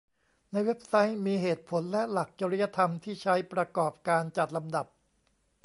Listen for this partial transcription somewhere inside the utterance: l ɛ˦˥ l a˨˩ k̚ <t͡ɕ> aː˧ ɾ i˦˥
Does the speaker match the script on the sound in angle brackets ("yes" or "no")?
yes